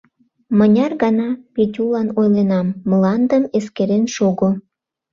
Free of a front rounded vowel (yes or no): yes